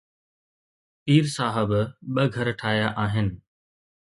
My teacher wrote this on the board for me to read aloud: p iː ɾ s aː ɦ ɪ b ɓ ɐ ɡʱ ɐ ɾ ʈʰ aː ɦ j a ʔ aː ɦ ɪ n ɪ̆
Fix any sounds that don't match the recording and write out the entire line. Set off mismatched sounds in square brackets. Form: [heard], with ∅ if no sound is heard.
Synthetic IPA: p iː ɾ s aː ɦ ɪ b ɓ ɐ ɡʱ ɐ ɾ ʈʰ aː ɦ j a ʔ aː ɦ ɪ n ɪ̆